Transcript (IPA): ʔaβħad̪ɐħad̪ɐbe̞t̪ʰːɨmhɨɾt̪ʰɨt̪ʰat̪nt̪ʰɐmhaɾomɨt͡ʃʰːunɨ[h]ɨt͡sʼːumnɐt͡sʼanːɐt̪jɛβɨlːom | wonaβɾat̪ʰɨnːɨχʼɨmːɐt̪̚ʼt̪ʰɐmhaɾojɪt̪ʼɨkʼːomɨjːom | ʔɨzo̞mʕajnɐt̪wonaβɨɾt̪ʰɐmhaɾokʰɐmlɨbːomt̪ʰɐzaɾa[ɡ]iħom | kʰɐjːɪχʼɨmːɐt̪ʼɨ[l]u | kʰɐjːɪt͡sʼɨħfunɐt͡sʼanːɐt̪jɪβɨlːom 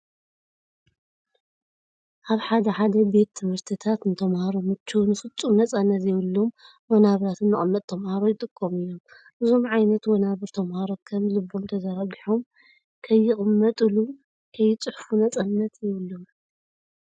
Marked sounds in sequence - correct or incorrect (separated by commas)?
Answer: incorrect, correct, correct